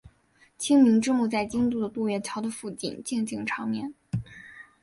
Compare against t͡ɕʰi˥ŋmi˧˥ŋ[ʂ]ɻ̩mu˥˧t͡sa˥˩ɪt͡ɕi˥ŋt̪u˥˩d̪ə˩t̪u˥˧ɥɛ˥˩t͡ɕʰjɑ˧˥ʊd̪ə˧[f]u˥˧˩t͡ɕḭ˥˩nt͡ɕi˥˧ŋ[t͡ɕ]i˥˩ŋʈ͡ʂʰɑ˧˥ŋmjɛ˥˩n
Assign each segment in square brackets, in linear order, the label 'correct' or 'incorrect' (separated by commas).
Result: incorrect, correct, correct